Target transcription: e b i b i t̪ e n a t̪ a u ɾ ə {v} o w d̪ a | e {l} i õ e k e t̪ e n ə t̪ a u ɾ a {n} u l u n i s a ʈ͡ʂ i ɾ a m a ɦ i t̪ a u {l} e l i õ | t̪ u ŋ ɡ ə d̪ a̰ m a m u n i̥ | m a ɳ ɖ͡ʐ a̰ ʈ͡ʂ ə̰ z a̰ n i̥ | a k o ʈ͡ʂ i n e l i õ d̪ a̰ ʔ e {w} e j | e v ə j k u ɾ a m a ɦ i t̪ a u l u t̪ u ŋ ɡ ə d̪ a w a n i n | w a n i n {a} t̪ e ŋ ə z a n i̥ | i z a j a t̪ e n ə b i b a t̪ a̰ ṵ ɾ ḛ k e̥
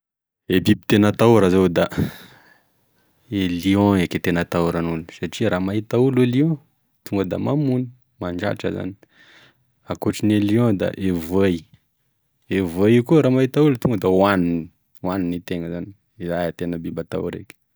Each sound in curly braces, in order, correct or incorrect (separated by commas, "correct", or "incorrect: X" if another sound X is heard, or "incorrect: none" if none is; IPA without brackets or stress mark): incorrect: z, correct, correct, correct, incorrect: v, incorrect: i